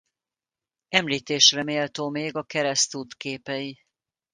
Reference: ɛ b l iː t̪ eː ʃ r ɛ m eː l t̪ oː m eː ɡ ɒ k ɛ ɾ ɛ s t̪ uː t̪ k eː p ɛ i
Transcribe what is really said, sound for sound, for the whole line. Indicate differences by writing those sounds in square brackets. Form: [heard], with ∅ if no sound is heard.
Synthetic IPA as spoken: ɛ [m] l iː t̪ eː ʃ r ɛ m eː l t̪ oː m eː ɡ ɒ k ɛ ɾ ɛ s t̪ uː t̪ k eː p ɛ i